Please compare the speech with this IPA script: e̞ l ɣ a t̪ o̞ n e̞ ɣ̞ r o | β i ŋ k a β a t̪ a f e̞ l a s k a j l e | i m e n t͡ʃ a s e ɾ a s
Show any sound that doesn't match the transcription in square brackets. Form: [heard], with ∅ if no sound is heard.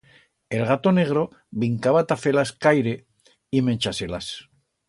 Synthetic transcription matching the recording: e̞ l ɣ a t̪ o̞ n e̞ ɣ̞ [ɾ] o | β i ŋ k a β a t̪ a f e̞ l a s k a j [ɾ] e | i m e n t͡ʃ a s e [l] a s